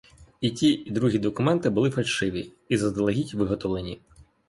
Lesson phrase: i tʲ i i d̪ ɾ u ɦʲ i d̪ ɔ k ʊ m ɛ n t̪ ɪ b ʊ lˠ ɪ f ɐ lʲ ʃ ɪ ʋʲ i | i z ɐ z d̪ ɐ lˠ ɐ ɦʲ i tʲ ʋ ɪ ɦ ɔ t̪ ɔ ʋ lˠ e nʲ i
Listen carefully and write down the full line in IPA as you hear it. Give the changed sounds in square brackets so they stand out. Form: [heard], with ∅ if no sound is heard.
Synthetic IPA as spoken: i tʲ i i d̪ ɾ u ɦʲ i d̪ ɔ k ʊ m ɛ n t̪ ɪ b ʊ lˠ ɪ f ɐ lʲ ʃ ɪ ʋʲ i | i z ɐ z d̪ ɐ lˠ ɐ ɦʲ i tʲ ʋ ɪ ɦ ɔ t̪ ɔ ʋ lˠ e nʲ i